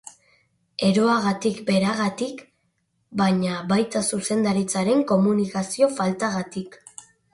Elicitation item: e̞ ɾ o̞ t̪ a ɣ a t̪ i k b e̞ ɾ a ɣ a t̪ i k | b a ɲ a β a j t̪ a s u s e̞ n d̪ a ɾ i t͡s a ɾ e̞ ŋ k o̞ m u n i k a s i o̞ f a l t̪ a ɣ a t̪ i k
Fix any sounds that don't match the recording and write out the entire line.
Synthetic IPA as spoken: e̞ ɾ o̞ a ɣ a t̪ i k b e̞ ɾ a ɣ a t̪ i k | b a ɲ a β a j t̪ a s u s e̞ n d̪ a ɾ i t͡s a ɾ e̞ ŋ k o̞ m u n i k a s i o̞ f a l t̪ a ɣ a t̪ i k